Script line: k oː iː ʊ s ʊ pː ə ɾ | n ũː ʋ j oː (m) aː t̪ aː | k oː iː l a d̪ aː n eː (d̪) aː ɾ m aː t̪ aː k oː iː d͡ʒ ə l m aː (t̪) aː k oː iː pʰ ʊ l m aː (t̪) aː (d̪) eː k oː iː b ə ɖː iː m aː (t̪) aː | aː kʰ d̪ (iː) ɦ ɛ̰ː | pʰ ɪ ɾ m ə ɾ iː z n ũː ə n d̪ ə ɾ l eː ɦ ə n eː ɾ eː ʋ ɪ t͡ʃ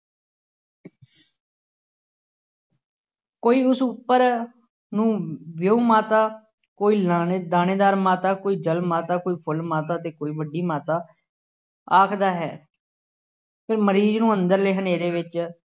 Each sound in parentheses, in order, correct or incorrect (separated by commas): correct, correct, correct, correct, incorrect, correct, incorrect